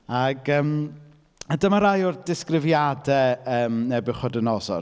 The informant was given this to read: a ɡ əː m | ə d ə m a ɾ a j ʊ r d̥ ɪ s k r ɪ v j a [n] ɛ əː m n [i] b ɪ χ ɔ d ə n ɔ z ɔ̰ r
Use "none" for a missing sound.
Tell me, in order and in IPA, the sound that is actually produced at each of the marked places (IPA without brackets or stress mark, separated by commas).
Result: d, ɛ